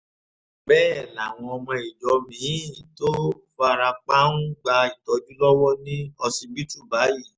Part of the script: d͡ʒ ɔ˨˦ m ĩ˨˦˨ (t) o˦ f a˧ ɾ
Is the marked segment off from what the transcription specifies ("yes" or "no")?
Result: no